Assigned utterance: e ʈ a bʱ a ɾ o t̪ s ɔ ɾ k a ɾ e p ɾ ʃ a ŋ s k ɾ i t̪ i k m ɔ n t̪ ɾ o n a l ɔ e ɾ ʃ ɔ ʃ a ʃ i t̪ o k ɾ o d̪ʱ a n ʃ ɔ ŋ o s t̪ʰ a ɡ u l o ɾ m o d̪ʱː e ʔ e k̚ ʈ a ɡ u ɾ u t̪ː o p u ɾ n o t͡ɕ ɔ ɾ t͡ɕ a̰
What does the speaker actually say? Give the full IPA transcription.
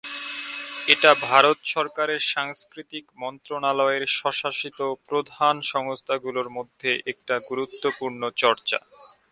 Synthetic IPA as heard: e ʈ a bʱ a ɾ o t̪ ʃ ɔ ɾ k a ɾ e ɾ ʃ a ŋ s k ɾ i t̪ i k m ɔ n t̪ ɾ o n a l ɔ e ɾ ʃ ɔ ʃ a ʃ i t̪ o p ɾ o d̪ʱ a n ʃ ɔ ŋ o s t̪ʰ a ɡ u l o ɾ m o d̪ʱː e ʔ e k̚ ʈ a ɡ u ɾ u t̪ː o p u ɾ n o t͡ɕ ɔ ɾ t͡ɕ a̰